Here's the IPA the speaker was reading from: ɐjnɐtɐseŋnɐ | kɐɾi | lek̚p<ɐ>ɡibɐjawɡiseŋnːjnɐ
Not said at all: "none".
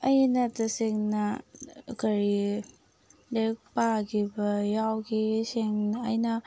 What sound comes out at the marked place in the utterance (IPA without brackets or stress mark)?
a